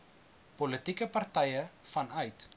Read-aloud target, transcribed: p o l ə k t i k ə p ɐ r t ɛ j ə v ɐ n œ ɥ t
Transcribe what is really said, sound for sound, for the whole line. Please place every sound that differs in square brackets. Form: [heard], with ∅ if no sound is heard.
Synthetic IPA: p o l ə [∅] t i k ə p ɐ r t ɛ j ə [f] ɐ n œ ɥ t